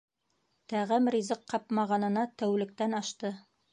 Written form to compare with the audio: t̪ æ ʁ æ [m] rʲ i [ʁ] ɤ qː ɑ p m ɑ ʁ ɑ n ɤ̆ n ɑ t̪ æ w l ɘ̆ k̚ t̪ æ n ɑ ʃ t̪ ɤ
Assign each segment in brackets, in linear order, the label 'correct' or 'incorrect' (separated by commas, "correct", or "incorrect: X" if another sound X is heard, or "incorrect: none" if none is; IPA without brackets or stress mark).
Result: correct, incorrect: z